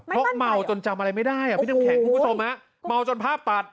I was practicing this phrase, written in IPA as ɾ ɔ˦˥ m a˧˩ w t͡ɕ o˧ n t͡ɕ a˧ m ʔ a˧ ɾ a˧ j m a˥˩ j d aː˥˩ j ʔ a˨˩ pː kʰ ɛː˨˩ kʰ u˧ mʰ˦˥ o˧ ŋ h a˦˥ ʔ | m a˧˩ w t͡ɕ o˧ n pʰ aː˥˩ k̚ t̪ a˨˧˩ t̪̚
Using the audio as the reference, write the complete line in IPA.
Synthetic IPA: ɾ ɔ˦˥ m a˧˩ w t͡ɕ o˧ n t͡ɕ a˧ m ʔ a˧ ɾ a˧ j m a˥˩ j d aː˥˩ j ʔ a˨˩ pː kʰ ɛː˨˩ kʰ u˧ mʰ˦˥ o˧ m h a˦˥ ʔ | m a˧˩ w t͡ɕ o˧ n pʰ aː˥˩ p̚ t̪ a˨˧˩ t̪̚